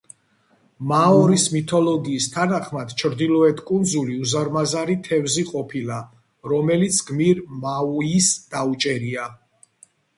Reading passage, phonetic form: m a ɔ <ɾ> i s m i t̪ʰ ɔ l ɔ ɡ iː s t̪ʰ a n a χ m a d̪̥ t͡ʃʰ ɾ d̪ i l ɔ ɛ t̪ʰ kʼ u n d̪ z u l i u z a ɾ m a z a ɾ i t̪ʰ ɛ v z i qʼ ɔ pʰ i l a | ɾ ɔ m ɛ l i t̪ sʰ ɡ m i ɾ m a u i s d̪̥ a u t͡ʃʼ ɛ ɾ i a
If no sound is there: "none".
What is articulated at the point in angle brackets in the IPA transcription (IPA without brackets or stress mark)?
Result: ɾ